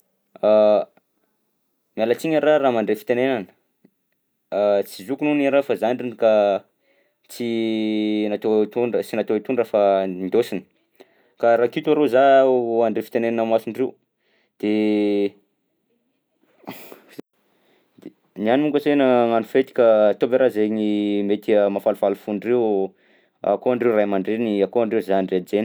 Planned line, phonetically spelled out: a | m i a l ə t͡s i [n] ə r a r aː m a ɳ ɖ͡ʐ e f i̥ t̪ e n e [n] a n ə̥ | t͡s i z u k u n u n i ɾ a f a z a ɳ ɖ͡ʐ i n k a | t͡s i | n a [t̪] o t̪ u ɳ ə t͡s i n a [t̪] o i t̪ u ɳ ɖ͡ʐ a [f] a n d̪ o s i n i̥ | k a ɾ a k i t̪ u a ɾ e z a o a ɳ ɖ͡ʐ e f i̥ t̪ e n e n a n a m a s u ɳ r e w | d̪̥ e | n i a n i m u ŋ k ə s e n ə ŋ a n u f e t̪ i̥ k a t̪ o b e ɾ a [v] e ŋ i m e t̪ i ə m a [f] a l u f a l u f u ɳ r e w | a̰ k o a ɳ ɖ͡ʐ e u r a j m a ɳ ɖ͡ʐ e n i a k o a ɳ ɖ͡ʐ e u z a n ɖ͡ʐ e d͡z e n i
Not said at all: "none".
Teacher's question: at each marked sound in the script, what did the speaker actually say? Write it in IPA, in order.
ɲ, n, t̪, t̪, f, z, f

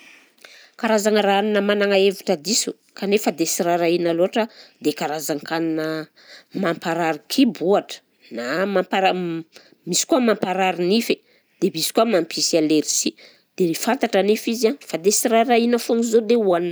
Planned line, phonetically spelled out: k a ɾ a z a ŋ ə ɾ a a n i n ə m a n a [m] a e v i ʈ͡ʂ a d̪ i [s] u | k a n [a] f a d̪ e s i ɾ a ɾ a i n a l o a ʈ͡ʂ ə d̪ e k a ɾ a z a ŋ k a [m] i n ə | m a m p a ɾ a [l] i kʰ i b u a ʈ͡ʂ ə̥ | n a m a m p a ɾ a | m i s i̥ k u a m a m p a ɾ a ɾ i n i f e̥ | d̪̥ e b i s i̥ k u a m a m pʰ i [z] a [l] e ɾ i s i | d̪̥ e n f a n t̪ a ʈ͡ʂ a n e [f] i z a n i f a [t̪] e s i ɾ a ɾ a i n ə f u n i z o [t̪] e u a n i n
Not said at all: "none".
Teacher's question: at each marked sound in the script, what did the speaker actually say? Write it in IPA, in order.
ŋ, s, e, n, ɾ, s, l, f, d̪, d̪

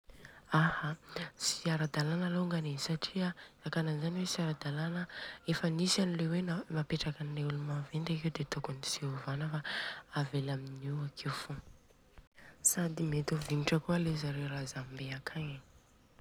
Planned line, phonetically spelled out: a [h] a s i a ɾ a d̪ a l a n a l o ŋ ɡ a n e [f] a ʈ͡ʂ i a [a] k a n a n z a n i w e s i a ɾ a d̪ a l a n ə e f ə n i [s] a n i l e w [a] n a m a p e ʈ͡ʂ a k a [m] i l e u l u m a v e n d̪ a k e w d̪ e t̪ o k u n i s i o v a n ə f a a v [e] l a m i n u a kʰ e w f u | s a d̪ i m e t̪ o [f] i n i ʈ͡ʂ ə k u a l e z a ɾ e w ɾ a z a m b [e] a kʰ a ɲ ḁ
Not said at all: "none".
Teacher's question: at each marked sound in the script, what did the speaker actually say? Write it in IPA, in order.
h, s, a, s, e, n, e, v, e

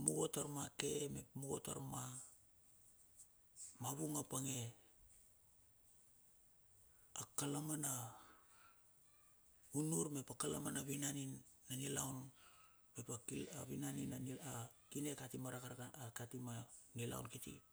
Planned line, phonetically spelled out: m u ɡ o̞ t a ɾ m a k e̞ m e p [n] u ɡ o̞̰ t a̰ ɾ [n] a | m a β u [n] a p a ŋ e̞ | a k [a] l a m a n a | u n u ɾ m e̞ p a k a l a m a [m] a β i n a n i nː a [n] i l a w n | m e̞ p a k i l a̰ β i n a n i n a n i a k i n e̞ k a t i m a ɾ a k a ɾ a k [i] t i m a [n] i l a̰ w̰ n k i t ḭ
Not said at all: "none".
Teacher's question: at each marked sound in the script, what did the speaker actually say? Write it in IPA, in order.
m, m, ŋ, a, n, n, a, n

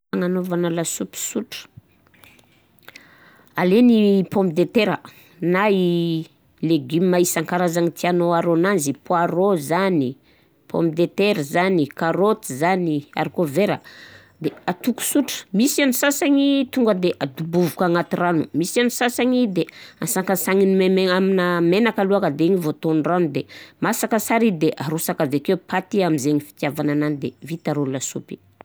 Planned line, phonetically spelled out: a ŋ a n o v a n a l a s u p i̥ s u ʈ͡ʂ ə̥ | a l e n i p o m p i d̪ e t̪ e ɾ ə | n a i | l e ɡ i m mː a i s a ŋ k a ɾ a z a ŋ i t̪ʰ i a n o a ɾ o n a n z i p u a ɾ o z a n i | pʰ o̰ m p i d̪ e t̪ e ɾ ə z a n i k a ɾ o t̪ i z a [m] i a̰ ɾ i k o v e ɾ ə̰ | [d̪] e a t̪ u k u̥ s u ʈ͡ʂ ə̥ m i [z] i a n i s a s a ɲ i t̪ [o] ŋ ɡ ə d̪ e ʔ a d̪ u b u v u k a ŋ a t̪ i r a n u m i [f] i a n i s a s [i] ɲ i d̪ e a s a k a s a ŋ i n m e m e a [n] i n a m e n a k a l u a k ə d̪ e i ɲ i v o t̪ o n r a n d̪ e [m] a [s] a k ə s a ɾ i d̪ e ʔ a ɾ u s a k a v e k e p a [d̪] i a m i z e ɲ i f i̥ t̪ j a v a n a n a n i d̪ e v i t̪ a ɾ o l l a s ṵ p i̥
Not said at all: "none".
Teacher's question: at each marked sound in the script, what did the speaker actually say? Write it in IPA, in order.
n, d̪, s, u, s, a, m, m, s, t̪

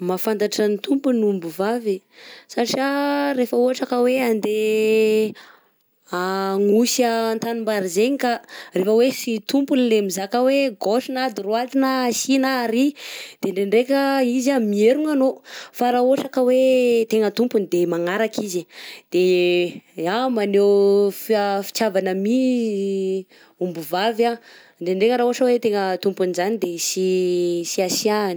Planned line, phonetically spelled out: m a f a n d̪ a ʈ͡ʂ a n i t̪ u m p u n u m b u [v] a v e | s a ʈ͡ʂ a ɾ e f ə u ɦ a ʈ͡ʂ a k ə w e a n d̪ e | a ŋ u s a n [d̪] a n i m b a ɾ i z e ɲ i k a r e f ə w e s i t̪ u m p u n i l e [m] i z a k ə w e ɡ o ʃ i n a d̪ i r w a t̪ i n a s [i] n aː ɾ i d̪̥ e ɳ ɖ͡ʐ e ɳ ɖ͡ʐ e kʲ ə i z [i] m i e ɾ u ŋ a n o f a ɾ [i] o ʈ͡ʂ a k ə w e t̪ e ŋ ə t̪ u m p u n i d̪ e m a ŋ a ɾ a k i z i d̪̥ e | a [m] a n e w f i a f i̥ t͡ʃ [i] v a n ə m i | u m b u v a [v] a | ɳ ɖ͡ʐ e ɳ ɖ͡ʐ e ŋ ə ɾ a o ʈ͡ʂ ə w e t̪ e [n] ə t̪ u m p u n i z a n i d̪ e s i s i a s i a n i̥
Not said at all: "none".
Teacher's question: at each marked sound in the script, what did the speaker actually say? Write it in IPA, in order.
v, t̪, m, i, a, a, m, a, v, ŋ

